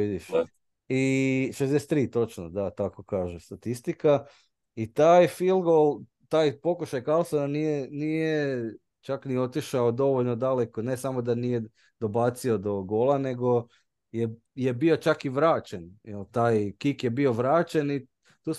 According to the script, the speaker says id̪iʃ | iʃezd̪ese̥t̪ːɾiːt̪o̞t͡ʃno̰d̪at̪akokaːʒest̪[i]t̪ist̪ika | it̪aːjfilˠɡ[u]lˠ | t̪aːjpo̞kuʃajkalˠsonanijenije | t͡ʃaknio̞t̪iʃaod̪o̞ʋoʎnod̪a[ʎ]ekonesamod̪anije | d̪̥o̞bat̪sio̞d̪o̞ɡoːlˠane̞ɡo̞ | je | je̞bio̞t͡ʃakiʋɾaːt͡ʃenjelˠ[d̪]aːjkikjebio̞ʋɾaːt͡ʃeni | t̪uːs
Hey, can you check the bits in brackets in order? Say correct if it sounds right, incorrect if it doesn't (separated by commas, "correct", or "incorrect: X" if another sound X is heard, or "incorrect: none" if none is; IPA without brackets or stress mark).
incorrect: a, incorrect: o, incorrect: l, incorrect: t̪